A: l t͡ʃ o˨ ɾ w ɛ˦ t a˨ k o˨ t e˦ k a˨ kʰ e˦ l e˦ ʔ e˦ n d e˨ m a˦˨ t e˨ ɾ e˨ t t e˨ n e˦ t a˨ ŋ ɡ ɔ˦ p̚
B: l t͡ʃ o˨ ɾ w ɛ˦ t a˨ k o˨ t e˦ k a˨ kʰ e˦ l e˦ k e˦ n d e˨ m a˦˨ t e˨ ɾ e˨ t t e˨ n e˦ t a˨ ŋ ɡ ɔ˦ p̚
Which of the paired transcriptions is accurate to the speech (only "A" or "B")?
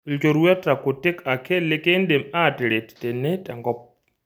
B